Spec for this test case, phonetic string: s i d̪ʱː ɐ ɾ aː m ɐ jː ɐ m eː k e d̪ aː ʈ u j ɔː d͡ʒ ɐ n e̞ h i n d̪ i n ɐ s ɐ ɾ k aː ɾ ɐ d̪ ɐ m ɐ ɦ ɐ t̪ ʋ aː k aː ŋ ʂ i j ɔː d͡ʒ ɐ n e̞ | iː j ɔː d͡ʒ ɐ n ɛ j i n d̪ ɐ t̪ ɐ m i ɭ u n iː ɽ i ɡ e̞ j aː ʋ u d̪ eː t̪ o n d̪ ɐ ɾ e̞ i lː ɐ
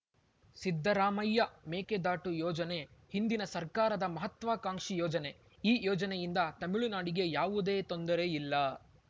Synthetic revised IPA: s i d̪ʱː ɐ ɾ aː m ɐ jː ɐ m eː k e d̪ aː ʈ u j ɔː d͡ʒ ɐ n e̞ h i n d̪ i n ɐ s ɐ ɾ k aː ɾ ɐ d̪ ɐ m ɐ ɦ ɐ t̪ ʋ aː k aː ŋ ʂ i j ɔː d͡ʒ ɐ n e̞ | iː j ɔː d͡ʒ ɐ n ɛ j i n d̪ ɐ t̪ ɐ m i ɭ u n aː ɽ i ɡ e̞ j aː ʋ u d̪ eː t̪ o n d̪ ɐ ɾ e̞ i lː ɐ